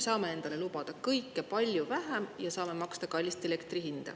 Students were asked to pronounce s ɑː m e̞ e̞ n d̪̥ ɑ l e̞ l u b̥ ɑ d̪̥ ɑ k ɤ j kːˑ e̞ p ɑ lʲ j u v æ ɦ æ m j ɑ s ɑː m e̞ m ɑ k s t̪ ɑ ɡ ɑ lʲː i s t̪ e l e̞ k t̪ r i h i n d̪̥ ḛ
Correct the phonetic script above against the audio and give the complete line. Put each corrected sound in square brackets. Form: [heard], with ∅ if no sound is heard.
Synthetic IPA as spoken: s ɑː m e̞ e̞ n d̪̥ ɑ l e̞ l u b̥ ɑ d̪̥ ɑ k ɤ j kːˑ e̞ p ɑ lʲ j u v æ ɦ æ m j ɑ s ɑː m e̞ m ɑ k s t̪ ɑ [k] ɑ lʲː i s t̪ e l e̞ k t̪ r i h i n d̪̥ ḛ